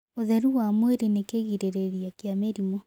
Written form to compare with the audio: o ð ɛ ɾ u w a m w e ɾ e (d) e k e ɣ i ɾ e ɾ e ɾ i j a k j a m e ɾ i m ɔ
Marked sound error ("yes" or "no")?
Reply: yes